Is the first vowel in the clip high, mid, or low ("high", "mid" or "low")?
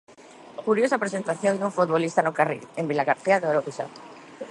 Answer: high